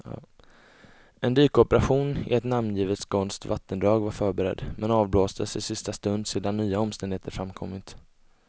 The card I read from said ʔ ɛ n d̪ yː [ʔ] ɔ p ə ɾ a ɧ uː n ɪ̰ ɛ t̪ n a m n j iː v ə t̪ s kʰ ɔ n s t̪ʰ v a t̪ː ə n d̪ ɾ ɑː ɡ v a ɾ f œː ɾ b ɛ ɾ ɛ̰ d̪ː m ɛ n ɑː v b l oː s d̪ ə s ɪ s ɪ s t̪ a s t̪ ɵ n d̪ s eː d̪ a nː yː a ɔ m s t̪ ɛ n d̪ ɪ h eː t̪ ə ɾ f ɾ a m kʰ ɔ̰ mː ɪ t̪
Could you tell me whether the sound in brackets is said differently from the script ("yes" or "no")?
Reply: yes